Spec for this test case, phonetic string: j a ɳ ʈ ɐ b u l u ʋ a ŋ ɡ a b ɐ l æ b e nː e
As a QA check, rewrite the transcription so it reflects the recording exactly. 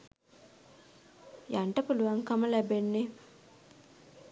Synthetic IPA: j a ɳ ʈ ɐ p u l u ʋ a ŋ k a m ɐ l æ b e nː e

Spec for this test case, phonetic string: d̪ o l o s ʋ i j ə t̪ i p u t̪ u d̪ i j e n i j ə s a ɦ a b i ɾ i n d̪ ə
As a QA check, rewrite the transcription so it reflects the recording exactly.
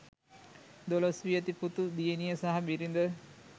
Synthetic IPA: d̪ o l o s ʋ i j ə t̪ i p u t̪ u d̪ i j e n i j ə s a ɦ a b i ɾ i n d̪ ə

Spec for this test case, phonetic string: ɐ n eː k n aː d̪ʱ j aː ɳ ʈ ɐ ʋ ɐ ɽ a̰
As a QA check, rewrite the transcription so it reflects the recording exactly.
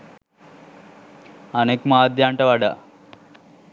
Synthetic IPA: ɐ n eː k m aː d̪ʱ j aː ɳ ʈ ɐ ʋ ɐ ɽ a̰

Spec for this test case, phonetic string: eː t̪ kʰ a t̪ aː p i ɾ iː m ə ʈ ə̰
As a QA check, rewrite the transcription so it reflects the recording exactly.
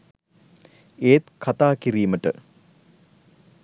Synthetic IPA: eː t̪ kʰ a t̪ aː k i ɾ iː m ə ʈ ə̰

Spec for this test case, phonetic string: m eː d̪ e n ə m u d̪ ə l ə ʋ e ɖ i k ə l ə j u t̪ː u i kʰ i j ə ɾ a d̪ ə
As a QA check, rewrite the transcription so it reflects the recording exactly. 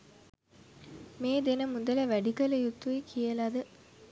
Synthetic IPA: m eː d̪ e n ə m u d̪ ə l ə ʋ æ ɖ i k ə l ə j u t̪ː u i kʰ i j ə l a d̪ ə

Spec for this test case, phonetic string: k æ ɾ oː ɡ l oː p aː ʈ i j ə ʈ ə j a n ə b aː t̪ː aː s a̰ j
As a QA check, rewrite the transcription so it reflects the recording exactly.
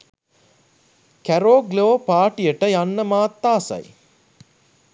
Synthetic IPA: k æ ɾ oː ɡ l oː p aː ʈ i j ə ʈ ə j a nː ə m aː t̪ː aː s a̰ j

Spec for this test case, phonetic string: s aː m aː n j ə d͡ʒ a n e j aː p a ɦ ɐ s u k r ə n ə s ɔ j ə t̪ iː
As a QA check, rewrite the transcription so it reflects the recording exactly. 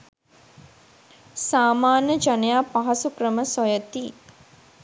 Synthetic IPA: s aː m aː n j ə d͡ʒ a n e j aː p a ɦ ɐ s u k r ə m ə s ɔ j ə t̪ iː

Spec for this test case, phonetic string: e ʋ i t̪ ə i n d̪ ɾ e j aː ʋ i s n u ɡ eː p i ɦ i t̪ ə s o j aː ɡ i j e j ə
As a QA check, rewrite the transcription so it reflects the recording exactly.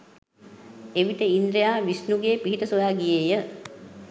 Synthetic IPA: e ʋ i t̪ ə i n d̪ ɾ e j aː ʋ i s n u ɡ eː p i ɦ i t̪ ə s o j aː ɡ i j e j ə

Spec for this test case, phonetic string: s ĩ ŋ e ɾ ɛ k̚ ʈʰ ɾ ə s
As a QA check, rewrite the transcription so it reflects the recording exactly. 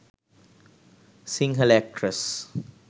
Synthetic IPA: s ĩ ŋ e l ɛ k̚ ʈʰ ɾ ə s

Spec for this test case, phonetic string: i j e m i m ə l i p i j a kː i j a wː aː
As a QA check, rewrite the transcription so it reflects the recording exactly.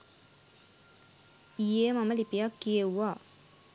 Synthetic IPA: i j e m a m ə l i p i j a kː i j e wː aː

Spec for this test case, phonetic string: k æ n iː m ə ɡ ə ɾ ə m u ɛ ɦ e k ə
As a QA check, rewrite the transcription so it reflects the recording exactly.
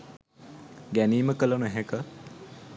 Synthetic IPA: ɡ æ n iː m ə k ə l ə n u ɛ ɦ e k ə

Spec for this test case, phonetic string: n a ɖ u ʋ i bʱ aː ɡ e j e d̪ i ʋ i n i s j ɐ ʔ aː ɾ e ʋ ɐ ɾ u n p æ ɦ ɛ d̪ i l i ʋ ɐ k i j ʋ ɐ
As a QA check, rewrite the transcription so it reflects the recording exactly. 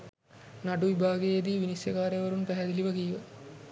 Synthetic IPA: n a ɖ u ʋ i bʱ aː ɡ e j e d̪ i ʋ i n i s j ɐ k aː ɾ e ʋ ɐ ɾ u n p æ ɦ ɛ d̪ i l i ʋ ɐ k i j ʋ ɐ

